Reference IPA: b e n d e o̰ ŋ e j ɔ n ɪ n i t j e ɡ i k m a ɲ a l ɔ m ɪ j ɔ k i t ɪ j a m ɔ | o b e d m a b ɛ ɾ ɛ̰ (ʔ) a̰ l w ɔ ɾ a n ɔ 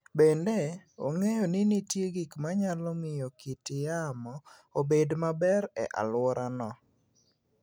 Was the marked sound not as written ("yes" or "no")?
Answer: no